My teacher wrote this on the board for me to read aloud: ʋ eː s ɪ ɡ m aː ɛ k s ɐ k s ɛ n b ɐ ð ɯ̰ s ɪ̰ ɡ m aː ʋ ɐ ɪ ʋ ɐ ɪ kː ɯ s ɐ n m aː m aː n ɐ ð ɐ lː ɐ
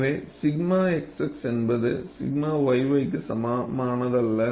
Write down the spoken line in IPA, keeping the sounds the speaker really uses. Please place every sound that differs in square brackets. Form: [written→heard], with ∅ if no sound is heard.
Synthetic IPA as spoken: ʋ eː s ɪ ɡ m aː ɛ k s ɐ k s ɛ n b ɐ ð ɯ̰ s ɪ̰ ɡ m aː ʋ ɐ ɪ ʋ ɐ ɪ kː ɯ s ɐ [n→∅] m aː m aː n ɐ ð ɐ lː ɐ